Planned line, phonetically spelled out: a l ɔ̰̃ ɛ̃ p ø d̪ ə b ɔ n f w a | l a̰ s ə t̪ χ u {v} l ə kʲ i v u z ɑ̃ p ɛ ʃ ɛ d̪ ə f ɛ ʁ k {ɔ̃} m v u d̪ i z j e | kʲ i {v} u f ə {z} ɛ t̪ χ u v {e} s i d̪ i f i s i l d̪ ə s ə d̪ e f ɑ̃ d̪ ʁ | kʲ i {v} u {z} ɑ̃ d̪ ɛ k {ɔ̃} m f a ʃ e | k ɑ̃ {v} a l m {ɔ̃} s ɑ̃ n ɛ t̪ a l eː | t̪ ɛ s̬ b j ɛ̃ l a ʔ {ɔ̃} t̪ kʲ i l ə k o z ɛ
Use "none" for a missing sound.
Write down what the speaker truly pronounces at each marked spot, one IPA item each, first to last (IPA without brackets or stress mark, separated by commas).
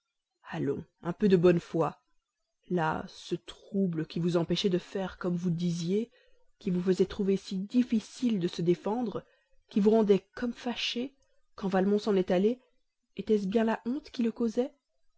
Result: b, ɔ, v, z, e, v, ʁ, ɔ, v, ɔ̃, ɔ̃